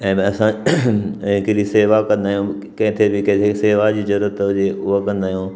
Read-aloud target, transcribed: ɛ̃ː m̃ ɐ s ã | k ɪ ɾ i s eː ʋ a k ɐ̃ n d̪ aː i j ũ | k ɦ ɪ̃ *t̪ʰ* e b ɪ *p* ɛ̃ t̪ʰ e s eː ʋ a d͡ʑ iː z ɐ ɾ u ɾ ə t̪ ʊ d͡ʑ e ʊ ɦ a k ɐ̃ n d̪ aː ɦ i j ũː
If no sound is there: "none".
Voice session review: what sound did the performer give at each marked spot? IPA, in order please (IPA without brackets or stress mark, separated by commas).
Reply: t̪ʰ, k